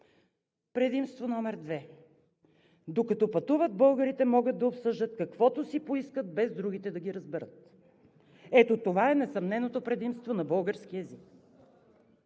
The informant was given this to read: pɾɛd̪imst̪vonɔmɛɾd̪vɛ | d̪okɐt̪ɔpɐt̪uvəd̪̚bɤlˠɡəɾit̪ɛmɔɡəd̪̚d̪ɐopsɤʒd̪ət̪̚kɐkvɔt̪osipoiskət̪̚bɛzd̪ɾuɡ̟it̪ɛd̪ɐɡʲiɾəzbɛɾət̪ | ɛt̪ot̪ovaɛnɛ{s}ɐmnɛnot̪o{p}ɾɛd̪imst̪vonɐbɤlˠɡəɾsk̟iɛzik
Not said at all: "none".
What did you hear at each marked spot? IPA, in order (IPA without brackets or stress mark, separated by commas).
s, p